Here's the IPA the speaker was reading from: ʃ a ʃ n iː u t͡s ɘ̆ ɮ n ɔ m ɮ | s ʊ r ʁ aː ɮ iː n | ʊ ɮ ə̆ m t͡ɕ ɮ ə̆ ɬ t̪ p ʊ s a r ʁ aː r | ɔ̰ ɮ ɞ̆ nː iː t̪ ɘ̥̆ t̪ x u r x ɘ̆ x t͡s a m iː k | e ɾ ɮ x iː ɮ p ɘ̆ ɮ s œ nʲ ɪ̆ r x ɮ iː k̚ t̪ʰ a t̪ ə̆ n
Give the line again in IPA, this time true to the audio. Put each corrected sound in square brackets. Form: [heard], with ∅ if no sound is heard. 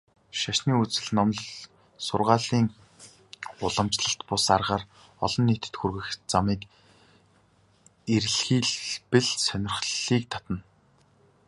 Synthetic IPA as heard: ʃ a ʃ n iː u t͡s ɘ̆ ɮ n ɔ m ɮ | s ʊ r ʁ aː ɮ iː [ŋ] | ʊ ɮ ə̆ m t͡ɕ ɮ ə̆ ɬ t̪ p ʊ s a r ʁ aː r | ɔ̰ ɮ ɞ̆ nː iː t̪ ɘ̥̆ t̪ x u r [ɣ] ɘ̆ x t͡s a m iː k | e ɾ ɮ x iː ɮ p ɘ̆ ɮ s œ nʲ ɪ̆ r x ɮ iː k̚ t̪ʰ a t̪ ə̆ n